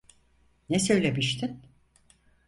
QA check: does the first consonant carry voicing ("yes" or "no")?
yes